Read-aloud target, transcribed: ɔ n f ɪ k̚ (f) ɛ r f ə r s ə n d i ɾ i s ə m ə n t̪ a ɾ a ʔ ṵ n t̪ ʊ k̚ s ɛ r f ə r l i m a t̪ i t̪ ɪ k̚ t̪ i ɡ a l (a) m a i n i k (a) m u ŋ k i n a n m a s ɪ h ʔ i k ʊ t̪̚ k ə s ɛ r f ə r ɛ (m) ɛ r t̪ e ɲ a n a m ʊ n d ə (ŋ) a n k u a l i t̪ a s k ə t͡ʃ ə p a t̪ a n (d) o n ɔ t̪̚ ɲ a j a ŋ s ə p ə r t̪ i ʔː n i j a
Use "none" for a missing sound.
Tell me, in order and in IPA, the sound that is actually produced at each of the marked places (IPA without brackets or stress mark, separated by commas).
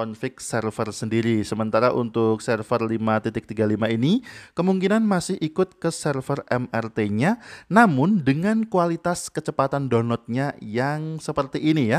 s, i, ə, m, ŋ, d